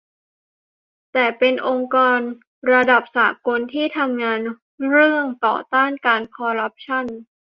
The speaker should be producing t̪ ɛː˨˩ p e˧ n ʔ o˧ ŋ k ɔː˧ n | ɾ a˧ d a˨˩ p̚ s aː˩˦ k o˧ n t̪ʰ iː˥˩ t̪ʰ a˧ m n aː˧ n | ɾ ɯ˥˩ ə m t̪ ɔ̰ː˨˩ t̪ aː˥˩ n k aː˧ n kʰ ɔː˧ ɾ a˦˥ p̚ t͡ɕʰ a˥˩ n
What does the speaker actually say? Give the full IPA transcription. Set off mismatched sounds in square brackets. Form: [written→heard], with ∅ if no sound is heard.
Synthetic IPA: t̪ ɛː˨˩ p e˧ n ʔ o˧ ŋ k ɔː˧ n | ɾ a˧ d a˨˩ p̚ s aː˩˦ k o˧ n t̪ʰ iː˥˩ t̪ʰ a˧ m [n→ŋ] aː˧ n | ɾ ɯ˥˩ ə [m→ŋ] t̪ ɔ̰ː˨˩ t̪ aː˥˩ n k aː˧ n kʰ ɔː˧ ɾ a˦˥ p̚ t͡ɕʰ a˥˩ n